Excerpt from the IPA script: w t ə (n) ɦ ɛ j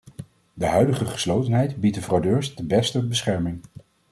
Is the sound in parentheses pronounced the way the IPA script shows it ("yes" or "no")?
yes